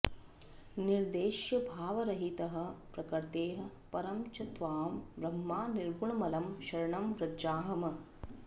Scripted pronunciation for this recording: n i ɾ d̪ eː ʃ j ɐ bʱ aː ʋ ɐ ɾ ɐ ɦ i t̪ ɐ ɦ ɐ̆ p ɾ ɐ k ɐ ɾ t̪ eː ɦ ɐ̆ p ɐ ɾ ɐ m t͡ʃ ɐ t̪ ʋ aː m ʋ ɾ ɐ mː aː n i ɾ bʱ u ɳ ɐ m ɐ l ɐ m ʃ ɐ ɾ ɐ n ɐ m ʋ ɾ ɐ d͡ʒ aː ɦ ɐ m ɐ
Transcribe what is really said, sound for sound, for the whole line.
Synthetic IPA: n i ɾ d̪ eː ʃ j ɐ bʱ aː ʋ ɐ ɾ ɐ ɦ i t̪ ɐ ɦ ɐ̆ p ɾ ɐ k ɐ ɾ t̪ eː ɦ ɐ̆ p ɐ ɾ ɐ m t͡ʃ ɐ t̪ ʋ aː m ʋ ɾ ɐ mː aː n i ɾ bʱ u ɳ ɐ m ɐ l ɐ m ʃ ɐ ɾ ɐ ɳ ɐ m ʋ ɾ ɐ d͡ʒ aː ɦ ɐ m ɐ